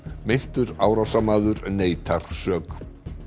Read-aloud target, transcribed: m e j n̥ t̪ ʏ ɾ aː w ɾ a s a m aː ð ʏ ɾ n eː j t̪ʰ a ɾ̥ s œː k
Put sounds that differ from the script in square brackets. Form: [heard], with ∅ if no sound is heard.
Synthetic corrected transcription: m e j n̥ t̪ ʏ ɾ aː w ɾ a s a m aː ð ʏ ɾ n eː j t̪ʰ a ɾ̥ s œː k